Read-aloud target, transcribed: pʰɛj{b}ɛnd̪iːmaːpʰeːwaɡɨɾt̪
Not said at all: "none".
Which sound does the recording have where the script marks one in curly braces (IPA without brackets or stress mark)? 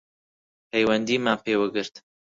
w